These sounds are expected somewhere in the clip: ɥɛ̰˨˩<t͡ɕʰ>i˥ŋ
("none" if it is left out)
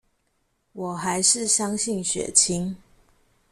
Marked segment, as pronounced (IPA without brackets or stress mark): t͡ɕʰ